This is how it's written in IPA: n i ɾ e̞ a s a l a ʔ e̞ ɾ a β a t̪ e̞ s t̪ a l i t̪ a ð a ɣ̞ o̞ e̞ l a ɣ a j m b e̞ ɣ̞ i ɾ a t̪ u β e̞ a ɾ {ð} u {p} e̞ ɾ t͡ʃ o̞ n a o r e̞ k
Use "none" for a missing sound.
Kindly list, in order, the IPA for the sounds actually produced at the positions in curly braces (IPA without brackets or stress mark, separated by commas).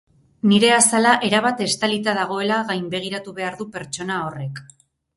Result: ð, p